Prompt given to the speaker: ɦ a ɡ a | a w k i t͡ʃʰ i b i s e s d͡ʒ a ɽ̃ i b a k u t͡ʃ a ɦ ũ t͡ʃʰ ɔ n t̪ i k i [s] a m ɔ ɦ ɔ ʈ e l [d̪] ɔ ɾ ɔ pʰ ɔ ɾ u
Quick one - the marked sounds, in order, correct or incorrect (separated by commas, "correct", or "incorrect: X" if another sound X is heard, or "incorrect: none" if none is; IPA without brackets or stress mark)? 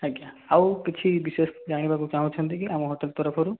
incorrect: none, incorrect: t̪